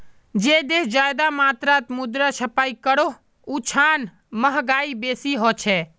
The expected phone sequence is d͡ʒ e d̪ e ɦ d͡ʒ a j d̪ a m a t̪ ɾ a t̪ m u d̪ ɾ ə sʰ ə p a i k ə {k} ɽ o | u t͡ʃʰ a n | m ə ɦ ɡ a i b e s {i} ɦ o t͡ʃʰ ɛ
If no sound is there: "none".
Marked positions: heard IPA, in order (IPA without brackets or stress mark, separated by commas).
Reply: none, i